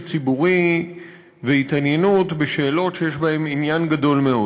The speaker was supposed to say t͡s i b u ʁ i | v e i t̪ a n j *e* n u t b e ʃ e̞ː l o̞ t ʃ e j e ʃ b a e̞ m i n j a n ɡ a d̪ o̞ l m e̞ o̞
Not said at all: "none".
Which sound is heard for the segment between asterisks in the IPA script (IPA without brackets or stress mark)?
e